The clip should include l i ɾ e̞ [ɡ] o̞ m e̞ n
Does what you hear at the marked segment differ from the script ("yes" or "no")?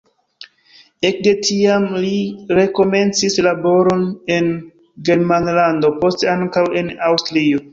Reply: yes